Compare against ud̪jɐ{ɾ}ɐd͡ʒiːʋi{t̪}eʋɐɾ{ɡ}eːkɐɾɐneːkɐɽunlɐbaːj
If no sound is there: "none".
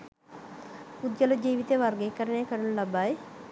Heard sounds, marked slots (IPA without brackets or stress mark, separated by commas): l, t̪, ɡ